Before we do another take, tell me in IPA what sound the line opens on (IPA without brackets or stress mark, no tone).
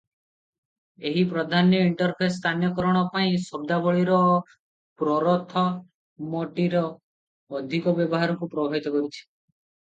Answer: e